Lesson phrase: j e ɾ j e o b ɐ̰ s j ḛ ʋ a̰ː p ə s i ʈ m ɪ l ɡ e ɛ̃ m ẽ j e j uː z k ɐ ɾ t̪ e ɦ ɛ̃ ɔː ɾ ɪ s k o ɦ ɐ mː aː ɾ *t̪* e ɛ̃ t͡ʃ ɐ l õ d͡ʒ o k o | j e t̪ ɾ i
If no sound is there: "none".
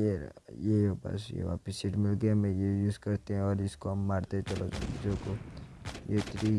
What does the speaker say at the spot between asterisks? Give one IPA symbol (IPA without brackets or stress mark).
t̪